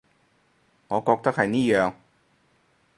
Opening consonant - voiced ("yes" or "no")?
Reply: yes